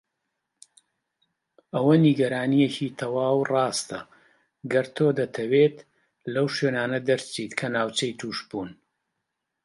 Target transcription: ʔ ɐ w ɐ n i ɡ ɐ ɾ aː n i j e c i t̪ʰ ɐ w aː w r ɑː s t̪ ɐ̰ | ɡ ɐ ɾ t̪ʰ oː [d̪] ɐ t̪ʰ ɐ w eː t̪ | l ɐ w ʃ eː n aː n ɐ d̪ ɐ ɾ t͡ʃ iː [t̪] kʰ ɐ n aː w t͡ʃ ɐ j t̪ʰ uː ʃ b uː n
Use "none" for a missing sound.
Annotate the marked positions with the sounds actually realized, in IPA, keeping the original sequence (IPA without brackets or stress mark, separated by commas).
d̪, t̪